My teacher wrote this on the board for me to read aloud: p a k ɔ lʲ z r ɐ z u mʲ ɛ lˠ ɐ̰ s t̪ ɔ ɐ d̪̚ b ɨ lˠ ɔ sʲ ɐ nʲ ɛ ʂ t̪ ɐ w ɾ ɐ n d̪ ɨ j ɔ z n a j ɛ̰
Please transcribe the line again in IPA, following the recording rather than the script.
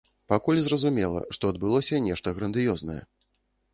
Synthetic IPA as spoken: p a k u lʲ z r ɐ z u mʲ ɛ lˠ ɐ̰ ʂ t̪ ɔ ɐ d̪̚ b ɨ lˠ ɔ sʲ ɐ nʲ ɛ ʂ t̪ ɐ ɣ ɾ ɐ n d̪ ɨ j ɔ z n ɐ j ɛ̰